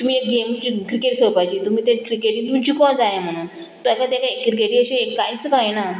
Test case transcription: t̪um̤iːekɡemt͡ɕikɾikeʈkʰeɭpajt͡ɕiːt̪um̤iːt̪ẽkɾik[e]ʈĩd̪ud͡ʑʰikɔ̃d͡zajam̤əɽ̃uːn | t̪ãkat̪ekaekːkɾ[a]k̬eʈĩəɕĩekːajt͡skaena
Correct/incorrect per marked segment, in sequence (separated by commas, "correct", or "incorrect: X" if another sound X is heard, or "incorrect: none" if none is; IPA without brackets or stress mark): correct, incorrect: i